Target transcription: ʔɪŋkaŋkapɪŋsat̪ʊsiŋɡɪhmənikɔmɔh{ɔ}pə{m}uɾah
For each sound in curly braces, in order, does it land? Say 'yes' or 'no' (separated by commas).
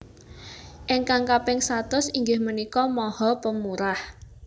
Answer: yes, yes